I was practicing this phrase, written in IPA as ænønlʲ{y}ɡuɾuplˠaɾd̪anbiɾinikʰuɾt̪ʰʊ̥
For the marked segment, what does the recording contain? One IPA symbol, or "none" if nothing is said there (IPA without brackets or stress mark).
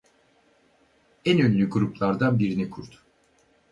y